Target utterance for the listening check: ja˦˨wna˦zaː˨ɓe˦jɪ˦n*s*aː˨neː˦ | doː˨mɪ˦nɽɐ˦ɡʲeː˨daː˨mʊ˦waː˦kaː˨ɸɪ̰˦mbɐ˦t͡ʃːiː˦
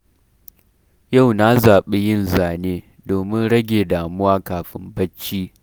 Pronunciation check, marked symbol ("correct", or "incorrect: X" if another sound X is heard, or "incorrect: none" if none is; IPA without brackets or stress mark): incorrect: z